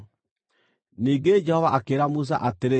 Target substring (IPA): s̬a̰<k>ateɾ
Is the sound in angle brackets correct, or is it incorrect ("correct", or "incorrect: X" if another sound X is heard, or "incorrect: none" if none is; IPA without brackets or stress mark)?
incorrect: ʔ